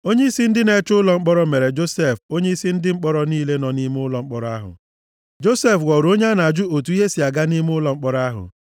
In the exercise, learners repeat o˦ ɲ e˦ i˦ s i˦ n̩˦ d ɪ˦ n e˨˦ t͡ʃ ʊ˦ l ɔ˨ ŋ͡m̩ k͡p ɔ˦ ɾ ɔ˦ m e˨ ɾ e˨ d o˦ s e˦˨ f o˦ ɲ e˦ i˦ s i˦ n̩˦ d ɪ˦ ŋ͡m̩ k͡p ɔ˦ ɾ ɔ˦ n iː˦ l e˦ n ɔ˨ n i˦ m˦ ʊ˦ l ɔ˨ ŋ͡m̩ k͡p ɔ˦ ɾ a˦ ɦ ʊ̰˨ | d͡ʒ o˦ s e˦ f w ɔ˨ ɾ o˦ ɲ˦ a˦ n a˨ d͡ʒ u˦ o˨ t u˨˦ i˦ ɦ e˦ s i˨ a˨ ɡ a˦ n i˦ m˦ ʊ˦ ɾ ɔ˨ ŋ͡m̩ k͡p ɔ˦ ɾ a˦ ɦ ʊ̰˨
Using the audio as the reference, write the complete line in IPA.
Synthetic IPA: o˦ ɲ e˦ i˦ s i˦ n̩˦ d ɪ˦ n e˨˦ t͡ʃ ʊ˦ l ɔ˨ ŋ͡m̩ k͡p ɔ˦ ɾ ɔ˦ m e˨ ɾ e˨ d͡ʒ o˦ s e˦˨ f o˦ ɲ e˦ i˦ s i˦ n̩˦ d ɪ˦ ŋ͡m̩ k͡p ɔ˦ ɾ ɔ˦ n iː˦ l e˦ n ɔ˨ n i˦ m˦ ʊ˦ l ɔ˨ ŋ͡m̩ k͡p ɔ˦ ɾ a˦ ɦ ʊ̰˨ | d͡ʒ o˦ s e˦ f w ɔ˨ ɾ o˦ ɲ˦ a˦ n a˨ d͡ʒ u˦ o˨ t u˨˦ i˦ ɦ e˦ s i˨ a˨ ɡ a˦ n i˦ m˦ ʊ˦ l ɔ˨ ŋ͡m̩ k͡p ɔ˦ ɾ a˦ ɦ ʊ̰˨